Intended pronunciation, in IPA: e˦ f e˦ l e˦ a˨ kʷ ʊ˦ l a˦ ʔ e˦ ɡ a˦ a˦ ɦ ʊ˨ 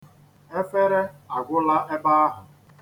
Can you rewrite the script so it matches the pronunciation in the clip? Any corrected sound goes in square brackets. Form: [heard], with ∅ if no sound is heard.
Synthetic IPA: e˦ f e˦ [ɾ] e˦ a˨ [ɡʷ] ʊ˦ l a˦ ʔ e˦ [b] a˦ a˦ ɦ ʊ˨